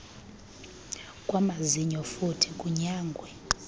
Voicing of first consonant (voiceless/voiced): voiceless